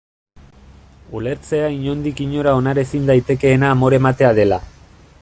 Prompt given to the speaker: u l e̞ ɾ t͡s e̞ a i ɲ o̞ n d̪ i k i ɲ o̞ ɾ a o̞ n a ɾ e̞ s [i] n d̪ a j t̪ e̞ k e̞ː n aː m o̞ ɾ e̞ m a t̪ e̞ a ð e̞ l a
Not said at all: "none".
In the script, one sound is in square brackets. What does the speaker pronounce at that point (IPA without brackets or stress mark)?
i